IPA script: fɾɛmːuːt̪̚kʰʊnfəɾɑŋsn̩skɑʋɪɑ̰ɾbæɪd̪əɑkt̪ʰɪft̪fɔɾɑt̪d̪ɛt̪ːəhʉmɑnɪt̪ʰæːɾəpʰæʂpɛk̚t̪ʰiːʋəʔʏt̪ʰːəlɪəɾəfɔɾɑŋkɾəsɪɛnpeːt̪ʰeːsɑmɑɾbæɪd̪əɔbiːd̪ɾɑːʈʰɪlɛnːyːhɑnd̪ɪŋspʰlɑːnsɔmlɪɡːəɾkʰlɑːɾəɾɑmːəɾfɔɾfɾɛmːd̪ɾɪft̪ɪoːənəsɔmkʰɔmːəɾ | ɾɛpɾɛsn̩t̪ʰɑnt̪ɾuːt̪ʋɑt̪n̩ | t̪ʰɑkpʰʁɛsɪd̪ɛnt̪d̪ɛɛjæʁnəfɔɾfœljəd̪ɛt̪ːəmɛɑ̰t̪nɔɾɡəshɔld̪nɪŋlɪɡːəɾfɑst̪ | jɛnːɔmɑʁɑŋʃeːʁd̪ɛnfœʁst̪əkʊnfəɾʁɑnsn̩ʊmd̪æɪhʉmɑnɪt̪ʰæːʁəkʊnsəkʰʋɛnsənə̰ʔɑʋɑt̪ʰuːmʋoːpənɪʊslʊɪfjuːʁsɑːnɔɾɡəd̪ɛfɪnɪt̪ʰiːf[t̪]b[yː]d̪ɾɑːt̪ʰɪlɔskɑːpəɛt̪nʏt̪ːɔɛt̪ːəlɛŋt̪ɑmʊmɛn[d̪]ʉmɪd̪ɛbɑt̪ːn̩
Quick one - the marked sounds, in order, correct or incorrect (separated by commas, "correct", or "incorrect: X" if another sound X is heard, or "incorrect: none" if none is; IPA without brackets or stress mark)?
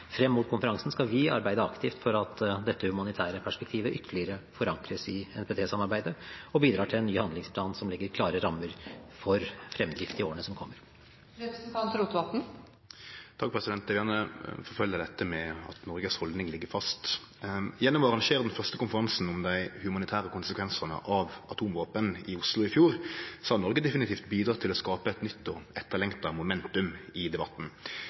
correct, incorrect: iː, incorrect: t̪